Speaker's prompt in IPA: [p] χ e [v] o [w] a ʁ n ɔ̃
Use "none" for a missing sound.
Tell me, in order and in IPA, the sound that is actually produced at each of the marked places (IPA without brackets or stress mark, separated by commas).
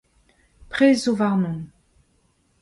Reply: p, z, v